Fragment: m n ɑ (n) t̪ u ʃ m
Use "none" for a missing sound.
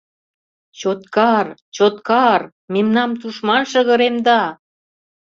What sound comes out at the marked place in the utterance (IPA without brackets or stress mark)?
m